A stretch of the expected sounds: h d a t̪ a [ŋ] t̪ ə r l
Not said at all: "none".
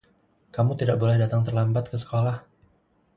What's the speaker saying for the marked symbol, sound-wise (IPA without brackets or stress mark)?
ŋ